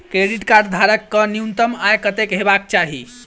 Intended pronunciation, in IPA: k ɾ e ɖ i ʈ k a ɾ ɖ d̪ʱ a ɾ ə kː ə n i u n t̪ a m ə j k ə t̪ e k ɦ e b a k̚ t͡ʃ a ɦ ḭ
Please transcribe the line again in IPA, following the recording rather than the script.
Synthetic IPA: k ɾ e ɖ i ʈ k a ɾ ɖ d̪ʱ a ɾ ə kː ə n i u n t̪ ə m a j k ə t̪ e k ɦ e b a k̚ t͡ʃ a ɦ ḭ